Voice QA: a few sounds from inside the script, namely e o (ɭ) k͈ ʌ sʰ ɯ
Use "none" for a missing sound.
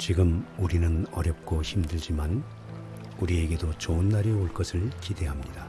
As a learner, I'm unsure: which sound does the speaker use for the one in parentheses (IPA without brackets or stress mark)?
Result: ɭ